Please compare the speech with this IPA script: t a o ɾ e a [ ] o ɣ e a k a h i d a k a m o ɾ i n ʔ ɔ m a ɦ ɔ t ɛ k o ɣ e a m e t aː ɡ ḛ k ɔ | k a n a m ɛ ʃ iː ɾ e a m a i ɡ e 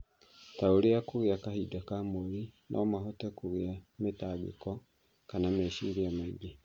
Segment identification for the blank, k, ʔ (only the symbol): k